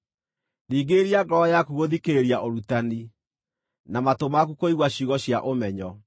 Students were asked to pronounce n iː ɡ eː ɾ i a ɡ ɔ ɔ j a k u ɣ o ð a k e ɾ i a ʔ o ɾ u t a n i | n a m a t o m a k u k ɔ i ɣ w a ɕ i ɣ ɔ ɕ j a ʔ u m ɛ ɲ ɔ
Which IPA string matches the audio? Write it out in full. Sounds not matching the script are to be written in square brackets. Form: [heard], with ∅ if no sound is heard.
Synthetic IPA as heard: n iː ɡ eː ɾ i a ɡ ɔ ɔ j a k u ɣ o ð [i] k e ɾ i a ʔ o ɾ u t a n i | n a m a t o m a k u k [o] i ɣ w a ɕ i ɣ ɔ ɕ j a ʔ [o] m ɛ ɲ ɔ